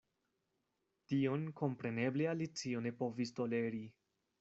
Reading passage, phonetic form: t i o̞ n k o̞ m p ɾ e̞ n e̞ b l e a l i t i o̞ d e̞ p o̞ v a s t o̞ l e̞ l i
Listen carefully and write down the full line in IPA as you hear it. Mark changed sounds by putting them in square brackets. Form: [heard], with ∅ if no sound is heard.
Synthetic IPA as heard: t i o̞ n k o̞ m p ɾ e̞ n e̞ b l e a l i [t͡s] i o̞ [n] e̞ p o̞ v [i] s t o̞ l e̞ [ɾ] i